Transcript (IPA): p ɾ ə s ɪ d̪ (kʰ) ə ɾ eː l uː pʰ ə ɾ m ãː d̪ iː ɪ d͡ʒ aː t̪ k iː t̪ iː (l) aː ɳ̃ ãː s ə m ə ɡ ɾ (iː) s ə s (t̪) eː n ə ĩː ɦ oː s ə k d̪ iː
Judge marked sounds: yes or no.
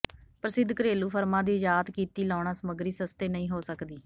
no, yes, yes, yes

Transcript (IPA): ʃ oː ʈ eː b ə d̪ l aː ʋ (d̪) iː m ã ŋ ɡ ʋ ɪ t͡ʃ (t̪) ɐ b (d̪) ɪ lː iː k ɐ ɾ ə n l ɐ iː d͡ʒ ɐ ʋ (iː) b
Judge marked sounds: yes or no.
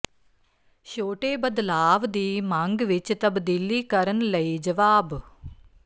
yes, yes, yes, no

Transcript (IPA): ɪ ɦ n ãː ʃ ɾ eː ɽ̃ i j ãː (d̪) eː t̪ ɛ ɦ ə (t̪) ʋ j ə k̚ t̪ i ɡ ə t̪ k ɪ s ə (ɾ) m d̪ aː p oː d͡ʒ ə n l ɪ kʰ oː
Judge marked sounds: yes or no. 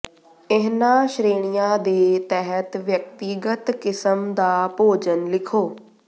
yes, yes, no

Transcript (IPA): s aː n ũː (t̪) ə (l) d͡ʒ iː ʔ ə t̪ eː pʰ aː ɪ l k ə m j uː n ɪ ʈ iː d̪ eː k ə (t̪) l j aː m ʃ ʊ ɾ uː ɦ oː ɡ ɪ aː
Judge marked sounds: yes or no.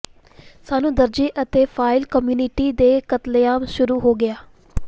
no, no, yes

